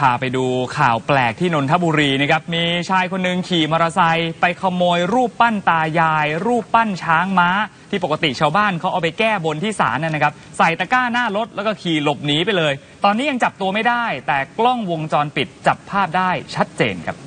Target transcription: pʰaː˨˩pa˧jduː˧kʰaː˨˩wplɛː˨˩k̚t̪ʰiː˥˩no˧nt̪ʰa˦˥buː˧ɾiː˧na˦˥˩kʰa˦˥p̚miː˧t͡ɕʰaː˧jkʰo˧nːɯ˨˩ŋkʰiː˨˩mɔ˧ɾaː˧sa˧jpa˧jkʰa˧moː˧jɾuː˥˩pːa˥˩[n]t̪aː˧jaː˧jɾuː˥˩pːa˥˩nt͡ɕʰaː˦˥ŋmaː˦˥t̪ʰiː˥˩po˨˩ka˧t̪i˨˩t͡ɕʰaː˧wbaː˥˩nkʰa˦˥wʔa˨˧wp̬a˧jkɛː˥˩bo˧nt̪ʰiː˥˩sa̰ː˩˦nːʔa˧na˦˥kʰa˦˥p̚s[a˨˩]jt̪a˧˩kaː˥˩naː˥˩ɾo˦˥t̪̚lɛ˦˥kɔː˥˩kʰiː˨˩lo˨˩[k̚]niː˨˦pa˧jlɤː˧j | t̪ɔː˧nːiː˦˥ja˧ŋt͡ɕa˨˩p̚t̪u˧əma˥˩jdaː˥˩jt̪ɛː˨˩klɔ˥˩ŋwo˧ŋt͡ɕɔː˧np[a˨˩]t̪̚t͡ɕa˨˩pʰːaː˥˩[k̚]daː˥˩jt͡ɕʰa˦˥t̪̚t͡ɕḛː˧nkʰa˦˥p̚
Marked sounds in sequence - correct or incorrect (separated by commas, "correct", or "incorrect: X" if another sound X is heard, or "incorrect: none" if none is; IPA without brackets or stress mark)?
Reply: correct, correct, incorrect: p̚, incorrect: i˨˩, incorrect: p̚